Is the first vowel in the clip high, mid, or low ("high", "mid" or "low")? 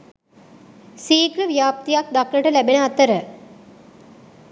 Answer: high